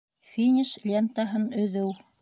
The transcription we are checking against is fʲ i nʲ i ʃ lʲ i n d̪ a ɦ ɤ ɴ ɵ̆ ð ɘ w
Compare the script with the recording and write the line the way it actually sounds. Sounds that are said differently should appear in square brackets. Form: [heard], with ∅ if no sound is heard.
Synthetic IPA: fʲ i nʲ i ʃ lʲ [e] n [t̪] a ɦ ɤ [n] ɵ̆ ð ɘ w